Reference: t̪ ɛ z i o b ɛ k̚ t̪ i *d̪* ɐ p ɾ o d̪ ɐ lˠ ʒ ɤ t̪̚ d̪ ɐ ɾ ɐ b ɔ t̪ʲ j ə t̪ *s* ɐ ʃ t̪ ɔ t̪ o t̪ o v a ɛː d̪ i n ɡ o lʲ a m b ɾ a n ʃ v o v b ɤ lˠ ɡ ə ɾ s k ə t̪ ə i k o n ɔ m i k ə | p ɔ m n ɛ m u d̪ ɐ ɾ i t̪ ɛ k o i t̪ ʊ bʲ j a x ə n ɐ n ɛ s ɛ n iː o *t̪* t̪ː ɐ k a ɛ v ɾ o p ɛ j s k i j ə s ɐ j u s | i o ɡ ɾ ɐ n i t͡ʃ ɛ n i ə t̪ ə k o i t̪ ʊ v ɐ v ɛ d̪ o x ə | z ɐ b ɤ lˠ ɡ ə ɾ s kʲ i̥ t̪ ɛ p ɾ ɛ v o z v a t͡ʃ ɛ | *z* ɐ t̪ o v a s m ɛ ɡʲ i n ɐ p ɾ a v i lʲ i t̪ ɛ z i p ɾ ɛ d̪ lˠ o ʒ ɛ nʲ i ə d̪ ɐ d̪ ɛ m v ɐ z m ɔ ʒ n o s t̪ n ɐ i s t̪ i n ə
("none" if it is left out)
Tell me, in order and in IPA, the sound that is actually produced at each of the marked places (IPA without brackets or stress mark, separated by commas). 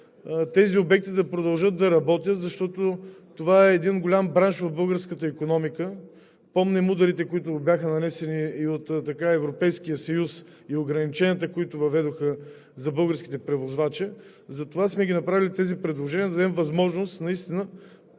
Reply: d̪, z, t̪, z